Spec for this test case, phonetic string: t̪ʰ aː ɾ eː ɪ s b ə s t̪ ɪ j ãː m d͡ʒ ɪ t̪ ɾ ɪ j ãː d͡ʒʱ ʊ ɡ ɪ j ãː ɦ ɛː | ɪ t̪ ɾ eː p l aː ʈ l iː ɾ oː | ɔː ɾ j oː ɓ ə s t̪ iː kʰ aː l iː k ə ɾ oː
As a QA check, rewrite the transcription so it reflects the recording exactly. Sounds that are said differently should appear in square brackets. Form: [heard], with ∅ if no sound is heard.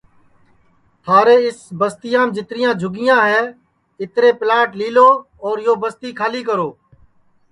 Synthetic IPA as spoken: t̪ʰ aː ɾ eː ɪ s b ə s t̪ ɪ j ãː m d͡ʒ ɪ t̪ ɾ ɪ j ãː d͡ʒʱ ʊ ɡ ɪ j ãː ɦ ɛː | ɪ t̪ ɾ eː p l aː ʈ l iː [l] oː | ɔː ɾ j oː [b] ə s t̪ iː kʰ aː l iː k ə ɾ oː

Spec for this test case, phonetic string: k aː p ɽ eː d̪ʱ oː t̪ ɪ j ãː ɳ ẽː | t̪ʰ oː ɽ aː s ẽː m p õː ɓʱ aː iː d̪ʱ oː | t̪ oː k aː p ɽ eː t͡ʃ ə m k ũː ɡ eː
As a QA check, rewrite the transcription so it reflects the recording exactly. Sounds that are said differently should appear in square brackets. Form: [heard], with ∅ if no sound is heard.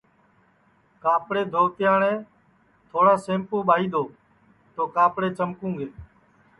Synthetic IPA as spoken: k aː p ɽ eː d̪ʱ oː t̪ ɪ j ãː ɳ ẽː | t̪ʰ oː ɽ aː s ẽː m p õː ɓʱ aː iː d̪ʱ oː | t̪ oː k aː p ɽ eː t͡ʃ ə m k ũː ɡ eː

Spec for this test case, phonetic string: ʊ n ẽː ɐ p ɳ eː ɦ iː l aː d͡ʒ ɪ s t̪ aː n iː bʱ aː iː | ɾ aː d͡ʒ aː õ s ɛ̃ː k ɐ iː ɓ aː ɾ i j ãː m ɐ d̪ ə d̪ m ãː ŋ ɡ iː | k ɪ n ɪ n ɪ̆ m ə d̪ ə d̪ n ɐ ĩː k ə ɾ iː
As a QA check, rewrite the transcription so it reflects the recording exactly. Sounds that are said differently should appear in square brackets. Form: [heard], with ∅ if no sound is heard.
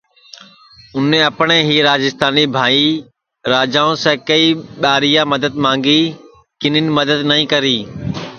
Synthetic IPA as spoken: ʊ n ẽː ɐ p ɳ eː ɦ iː [ɾ] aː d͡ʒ ɪ s t̪ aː n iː bʱ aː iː | ɾ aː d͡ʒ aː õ s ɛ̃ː k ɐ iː ɓ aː ɾ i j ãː m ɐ d̪ ə d̪ m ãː ŋ ɡ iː | k ɪ n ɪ n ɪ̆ m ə d̪ ə d̪ n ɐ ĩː k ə ɾ iː

